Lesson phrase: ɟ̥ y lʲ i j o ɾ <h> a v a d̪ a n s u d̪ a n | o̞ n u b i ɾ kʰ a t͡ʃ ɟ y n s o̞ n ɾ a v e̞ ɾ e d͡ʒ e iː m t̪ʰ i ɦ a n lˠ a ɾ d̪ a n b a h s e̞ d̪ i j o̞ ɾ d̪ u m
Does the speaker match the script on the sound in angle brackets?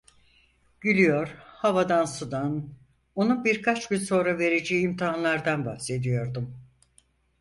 yes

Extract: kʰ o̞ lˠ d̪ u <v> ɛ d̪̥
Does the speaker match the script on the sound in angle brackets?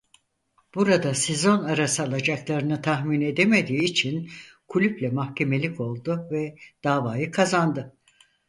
yes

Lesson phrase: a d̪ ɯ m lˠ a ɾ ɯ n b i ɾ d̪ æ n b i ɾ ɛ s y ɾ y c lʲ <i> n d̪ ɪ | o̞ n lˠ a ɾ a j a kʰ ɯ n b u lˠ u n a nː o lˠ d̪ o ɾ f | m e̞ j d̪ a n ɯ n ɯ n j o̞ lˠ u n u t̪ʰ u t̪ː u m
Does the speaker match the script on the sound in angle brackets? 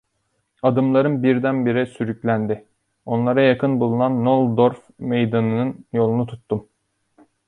no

